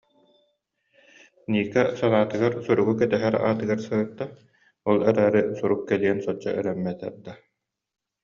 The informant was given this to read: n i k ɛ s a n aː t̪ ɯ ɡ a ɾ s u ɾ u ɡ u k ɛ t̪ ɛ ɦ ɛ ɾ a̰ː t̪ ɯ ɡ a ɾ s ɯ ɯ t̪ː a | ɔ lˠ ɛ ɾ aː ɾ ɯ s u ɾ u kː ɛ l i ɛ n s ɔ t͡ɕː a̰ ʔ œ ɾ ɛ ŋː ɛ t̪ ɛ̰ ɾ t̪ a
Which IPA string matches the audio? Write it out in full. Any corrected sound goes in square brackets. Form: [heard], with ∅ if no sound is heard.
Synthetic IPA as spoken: n [iː] k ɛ s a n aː t̪ ɯ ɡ a ɾ s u ɾ u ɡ u k ɛ t̪ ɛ ɦ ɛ ɾ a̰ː t̪ ɯ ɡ a ɾ s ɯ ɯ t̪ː a | ɔ lˠ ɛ ɾ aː ɾ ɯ s u ɾ u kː ɛ l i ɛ n s ɔ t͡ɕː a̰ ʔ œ ɾ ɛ [mː] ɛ t̪ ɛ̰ ɾ [d̪] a